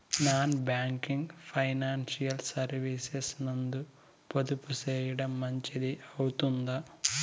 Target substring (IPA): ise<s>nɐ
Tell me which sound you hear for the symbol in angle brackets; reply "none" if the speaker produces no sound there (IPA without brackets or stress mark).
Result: s